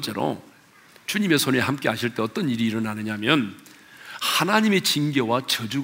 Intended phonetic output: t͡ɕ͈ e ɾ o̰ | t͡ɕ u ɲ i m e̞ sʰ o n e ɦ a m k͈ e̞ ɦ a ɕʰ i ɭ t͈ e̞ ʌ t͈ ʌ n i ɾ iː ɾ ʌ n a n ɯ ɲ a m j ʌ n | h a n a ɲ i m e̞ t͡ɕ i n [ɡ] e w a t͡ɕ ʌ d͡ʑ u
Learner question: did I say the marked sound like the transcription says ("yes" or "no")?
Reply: yes